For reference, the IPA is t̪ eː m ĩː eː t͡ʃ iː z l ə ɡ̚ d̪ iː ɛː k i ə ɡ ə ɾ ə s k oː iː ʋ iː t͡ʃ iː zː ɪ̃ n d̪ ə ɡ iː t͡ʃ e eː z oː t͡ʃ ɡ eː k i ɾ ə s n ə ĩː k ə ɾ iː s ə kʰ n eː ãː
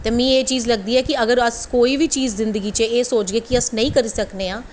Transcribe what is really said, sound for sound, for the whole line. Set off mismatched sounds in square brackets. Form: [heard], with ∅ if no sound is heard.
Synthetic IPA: t̪ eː m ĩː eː t͡ʃ iː z l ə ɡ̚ d̪ iː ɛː k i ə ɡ ə ɾ ə s k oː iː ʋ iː t͡ʃ iː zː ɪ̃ n d̪ ə ɡ iː t͡ʃ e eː [s] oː t͡ʃ ɡ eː k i [∅] ə s n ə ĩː k ə ɾ iː s ə [k] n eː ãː